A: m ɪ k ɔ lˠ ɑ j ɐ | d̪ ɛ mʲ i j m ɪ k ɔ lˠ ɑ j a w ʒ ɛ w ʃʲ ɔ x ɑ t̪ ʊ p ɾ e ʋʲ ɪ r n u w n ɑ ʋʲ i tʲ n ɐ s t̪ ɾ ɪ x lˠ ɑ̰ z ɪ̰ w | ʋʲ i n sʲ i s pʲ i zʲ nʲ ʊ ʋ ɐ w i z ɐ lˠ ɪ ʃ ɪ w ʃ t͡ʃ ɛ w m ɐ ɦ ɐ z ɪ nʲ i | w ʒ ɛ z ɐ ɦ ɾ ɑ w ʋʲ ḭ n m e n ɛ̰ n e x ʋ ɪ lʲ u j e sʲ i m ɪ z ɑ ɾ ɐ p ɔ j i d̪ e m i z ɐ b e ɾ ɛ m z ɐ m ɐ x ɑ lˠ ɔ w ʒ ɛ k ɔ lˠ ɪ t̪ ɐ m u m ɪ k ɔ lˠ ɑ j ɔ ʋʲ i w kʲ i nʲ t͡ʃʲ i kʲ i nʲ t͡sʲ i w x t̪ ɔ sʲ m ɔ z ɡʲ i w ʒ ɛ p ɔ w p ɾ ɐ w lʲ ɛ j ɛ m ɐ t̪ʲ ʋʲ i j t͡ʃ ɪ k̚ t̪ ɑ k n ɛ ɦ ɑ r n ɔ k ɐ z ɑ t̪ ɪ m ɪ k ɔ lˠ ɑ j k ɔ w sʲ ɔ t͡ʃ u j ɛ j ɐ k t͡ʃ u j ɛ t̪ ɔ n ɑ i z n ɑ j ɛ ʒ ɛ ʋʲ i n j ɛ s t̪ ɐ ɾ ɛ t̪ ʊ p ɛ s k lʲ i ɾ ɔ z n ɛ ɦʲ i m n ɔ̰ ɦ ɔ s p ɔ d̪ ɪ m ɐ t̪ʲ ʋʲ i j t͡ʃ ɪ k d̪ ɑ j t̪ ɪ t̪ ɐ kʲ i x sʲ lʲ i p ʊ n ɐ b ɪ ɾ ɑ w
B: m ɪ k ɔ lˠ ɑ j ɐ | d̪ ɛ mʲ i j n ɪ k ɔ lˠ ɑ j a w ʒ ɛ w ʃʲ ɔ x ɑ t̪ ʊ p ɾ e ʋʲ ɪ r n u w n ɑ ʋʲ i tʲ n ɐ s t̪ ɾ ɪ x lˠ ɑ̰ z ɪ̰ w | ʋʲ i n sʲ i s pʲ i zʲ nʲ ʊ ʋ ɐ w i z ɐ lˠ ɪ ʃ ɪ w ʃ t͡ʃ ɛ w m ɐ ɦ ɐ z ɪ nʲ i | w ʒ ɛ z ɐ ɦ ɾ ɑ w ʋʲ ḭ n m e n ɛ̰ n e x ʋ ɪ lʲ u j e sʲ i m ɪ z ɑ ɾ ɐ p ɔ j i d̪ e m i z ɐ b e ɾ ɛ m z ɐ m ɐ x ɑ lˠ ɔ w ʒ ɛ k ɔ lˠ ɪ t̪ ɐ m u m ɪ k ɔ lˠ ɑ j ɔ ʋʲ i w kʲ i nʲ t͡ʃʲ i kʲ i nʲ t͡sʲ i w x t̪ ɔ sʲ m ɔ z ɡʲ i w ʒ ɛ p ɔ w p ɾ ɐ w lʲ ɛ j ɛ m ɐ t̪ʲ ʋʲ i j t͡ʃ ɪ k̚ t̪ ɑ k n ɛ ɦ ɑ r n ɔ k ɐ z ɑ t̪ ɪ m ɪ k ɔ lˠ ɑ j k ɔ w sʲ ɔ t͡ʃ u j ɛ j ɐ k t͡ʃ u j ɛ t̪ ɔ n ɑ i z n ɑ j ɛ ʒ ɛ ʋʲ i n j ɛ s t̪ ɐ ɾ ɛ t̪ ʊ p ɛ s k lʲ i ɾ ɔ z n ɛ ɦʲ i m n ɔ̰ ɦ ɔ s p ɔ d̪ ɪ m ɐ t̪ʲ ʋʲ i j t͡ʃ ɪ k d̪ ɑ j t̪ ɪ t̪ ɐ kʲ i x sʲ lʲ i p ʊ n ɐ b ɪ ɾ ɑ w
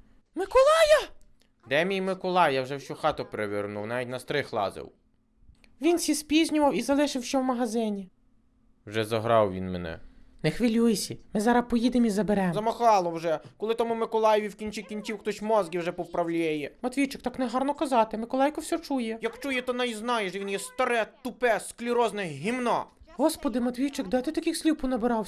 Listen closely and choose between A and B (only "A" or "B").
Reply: A